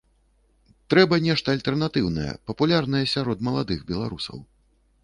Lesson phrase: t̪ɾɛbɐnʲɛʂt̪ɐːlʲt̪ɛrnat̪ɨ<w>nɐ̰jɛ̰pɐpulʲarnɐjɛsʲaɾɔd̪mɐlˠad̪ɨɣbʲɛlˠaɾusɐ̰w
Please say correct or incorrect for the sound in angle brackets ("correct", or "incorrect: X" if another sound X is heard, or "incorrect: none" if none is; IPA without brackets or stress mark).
correct